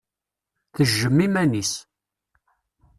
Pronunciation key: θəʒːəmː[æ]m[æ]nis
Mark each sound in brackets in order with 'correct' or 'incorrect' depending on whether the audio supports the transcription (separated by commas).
incorrect, correct